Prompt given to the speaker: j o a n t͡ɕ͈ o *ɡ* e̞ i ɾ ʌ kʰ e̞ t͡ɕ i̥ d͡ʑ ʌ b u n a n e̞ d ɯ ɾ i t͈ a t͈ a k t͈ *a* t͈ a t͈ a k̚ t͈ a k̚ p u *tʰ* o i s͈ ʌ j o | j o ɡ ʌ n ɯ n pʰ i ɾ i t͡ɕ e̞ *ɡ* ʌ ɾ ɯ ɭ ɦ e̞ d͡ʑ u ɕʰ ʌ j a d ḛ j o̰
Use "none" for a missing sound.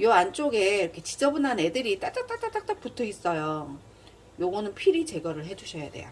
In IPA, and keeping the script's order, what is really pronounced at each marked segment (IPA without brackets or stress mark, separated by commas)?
ɡ, a, tʰ, ɡ